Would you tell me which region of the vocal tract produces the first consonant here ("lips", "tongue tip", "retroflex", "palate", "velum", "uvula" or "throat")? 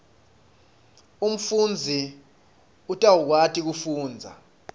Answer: lips